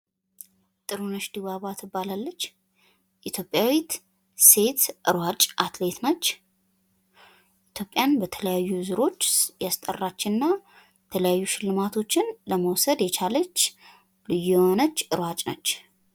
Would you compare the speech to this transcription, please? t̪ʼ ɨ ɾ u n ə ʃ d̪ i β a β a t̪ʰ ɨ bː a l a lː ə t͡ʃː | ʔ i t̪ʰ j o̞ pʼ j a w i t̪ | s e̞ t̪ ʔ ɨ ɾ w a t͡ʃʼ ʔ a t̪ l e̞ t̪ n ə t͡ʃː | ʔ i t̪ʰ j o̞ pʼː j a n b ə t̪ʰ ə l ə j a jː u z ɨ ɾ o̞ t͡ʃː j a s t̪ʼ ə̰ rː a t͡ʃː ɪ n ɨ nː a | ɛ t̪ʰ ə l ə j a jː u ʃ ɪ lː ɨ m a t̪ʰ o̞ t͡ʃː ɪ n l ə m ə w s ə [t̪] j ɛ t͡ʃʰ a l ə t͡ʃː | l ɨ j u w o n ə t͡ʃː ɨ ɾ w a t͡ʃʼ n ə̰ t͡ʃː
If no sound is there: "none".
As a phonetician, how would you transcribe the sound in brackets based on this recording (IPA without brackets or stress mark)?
d̪